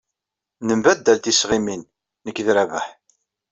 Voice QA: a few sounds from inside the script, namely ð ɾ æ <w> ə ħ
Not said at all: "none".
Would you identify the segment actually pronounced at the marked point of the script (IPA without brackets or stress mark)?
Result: v